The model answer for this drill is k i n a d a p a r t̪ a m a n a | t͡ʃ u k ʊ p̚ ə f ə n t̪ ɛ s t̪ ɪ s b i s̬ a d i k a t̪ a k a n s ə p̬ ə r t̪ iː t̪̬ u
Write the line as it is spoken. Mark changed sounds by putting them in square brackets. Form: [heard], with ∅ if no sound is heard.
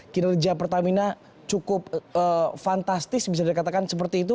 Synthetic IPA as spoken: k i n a [d͡ʒ] a p [ə] r t̪ a m [i] n a | t͡ʃ u k ʊ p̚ ə f [a] n t̪ [a] s t̪ ɪ s b i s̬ a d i k a t̪ a k a n s ə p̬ ə r t̪ iː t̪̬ u